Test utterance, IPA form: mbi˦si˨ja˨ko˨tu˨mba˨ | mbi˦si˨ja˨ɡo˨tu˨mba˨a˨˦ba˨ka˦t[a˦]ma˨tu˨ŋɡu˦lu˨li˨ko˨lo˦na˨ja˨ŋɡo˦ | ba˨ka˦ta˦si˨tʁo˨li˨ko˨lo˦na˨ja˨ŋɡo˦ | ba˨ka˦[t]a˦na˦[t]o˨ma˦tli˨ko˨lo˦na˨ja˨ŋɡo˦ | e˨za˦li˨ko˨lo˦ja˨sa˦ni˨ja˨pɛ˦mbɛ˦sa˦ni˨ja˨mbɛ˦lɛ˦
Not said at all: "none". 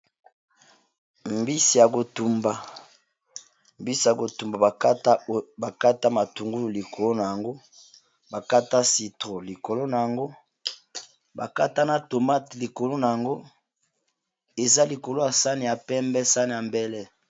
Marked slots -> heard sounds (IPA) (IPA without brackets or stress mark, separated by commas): a˦, t, t